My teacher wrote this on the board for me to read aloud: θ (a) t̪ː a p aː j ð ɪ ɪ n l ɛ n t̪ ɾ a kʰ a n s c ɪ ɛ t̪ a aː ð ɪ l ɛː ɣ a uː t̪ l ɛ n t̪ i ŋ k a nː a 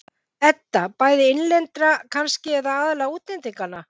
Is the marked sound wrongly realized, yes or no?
yes